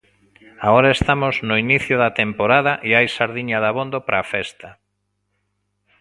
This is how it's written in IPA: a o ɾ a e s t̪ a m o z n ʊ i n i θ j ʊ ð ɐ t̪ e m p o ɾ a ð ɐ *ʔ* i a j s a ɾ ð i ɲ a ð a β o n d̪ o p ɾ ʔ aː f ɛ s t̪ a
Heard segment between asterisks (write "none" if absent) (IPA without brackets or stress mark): ʔ